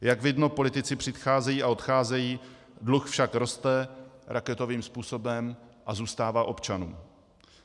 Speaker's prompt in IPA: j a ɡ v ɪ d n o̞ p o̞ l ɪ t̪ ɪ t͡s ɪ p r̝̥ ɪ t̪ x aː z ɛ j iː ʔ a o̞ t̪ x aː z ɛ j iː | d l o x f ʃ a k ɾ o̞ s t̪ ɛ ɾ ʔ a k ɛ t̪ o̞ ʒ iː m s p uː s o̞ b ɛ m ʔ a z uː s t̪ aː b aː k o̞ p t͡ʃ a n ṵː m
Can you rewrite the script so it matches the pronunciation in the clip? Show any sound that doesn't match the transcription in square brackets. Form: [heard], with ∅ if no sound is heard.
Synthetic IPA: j a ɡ v ɪ d n o̞ p o̞ l ɪ t̪ ɪ t͡s ɪ p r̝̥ ɪ t̪ x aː z ɛ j iː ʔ a o̞ t̪ x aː z ɛ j iː | d l [u] x f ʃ a k ɾ o̞ s t̪ ɛ ɾ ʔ a k ɛ t̪ o̞ [v] iː m s p uː s o̞ b ɛ m ʔ a z uː s t̪ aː [v] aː [ʔ] o̞ p t͡ʃ a n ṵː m